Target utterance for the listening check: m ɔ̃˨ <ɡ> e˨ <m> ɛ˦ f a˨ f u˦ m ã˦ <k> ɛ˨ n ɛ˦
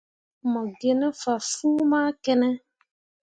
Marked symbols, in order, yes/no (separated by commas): yes, no, yes